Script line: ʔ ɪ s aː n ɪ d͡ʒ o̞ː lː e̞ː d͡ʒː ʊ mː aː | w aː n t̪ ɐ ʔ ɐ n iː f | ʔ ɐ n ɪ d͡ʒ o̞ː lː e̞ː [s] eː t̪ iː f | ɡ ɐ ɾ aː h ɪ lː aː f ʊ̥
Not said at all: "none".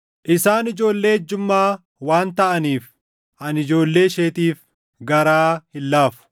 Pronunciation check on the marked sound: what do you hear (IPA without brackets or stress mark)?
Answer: ʃ